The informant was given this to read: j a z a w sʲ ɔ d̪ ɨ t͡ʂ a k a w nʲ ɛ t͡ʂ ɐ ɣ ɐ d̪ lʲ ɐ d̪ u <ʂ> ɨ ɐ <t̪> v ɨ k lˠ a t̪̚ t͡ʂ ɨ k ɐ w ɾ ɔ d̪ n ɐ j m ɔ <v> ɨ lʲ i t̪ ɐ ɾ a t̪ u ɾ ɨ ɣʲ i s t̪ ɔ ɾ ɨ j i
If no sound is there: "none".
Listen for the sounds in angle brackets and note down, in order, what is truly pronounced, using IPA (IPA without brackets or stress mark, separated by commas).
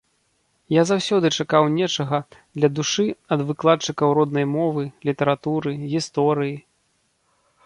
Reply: ʂ, d̪, v